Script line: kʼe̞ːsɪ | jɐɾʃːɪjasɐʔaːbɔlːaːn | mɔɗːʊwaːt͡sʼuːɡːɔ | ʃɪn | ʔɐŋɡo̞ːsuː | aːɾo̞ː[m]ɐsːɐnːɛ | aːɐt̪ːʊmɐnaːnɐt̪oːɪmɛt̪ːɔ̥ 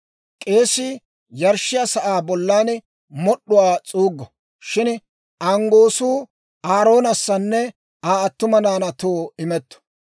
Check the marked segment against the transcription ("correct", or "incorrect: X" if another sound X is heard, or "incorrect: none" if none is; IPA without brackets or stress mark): incorrect: n